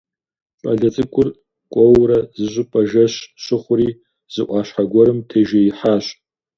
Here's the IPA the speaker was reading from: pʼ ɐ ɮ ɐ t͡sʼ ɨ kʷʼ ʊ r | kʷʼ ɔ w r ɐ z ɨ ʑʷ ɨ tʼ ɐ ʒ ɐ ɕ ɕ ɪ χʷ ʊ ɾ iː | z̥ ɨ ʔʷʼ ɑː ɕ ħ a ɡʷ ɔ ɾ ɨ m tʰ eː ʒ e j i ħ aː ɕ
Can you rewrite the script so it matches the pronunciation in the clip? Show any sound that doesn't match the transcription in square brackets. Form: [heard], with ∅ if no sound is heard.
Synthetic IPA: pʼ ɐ ɮ ɐ t͡sʼ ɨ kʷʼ ʊ r | kʷʼ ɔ w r ɐ z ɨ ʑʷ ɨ [pʼ] ɐ ʒ ɐ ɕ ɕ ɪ χʷ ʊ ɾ iː | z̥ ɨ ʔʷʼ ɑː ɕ ħ a ɡʷ ɔ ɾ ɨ m tʰ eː ʒ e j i ħ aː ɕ